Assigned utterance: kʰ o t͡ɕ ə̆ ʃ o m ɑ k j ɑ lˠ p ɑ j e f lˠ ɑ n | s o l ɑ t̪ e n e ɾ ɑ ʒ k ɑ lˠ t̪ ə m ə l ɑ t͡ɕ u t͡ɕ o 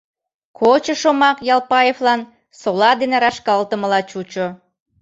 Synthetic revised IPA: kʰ o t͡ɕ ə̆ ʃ o m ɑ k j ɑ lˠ p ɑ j e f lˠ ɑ n | s o l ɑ d̪ e n e ɾ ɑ ʃ k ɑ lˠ t̪ ə m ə l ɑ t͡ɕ u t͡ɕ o